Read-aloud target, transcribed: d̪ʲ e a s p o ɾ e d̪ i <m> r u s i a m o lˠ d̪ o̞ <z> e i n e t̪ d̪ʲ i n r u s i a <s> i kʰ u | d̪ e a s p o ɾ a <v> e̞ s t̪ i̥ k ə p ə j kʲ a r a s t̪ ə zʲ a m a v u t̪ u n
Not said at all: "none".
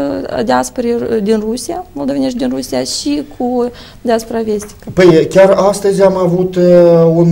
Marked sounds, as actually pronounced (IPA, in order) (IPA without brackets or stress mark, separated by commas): n, v, ʃ, v